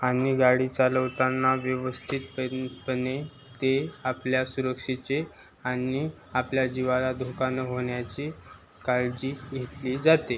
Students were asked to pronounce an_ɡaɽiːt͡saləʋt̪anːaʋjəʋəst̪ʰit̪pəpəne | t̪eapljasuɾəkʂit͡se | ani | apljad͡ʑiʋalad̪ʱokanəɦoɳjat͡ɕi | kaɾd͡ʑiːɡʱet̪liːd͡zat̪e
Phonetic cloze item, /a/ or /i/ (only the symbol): i